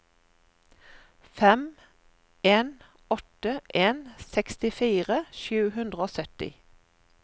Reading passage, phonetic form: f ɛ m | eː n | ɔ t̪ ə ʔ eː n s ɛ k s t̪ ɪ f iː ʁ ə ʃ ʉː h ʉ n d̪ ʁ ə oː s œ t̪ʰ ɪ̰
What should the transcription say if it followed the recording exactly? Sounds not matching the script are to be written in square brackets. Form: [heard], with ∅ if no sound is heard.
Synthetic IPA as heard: f ɛ m | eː n | ɔ t̪ ə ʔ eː n s ɛ k s t̪ ɪ f iː ʁ ə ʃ ʉː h ʉ n d̪ ʁ ə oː s œ [t̪] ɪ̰